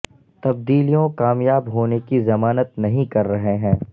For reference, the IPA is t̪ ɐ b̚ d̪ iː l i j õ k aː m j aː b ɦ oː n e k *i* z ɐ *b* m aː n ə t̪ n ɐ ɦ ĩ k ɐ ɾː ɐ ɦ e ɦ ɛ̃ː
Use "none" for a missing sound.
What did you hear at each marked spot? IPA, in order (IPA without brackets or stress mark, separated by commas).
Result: i, none